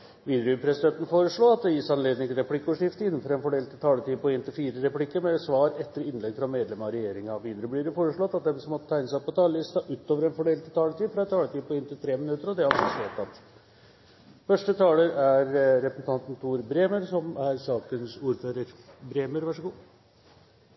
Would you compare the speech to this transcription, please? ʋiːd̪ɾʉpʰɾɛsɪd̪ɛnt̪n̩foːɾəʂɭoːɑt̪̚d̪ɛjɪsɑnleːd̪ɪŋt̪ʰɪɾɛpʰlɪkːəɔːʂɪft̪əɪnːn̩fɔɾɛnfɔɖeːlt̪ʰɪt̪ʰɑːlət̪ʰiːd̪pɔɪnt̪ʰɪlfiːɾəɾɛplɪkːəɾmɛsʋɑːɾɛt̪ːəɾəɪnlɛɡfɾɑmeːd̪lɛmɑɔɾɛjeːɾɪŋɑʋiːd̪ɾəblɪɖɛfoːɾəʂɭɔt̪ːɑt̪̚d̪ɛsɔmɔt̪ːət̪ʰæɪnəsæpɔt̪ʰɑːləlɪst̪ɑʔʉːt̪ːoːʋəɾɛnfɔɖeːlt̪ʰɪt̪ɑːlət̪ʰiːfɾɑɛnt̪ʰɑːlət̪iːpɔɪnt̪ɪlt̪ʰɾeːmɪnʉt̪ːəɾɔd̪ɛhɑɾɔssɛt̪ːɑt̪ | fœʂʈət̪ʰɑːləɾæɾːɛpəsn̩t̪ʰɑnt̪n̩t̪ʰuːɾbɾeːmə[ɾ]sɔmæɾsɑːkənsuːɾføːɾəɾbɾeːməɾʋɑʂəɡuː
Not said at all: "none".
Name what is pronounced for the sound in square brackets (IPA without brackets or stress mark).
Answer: ɾ